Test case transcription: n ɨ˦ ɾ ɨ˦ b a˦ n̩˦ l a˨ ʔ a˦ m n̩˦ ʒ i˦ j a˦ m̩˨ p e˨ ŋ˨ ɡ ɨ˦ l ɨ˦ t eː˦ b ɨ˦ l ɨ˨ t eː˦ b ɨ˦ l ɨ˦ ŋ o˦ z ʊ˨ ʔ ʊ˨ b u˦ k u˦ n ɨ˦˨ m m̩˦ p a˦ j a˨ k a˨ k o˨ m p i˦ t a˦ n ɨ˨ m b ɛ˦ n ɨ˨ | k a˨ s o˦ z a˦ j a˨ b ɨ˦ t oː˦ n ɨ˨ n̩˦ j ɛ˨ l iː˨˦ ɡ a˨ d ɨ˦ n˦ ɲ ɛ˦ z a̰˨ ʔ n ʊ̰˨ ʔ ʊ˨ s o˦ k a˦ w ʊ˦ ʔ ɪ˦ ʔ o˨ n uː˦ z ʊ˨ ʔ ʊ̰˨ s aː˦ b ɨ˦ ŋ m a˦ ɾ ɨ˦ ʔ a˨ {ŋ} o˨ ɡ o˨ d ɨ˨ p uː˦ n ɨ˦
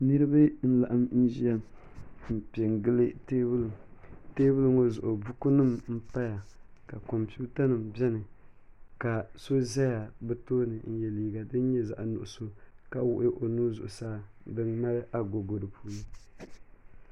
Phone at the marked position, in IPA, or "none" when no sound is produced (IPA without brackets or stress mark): ɡ